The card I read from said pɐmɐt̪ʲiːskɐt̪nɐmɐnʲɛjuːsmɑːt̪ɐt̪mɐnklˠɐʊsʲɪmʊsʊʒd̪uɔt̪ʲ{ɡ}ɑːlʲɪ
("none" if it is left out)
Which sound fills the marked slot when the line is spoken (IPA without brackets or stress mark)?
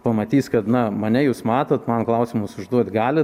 ɡ